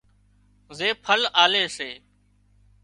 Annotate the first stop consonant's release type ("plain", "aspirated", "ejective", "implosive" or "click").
aspirated